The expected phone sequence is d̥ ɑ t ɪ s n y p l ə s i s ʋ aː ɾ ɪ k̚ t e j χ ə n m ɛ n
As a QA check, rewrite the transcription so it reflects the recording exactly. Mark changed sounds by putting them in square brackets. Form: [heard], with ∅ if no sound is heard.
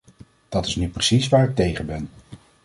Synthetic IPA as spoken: d̥ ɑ t ɪ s n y p [r] ə s i s ʋ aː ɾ ɪ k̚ t e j χ ə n [b] ɛ n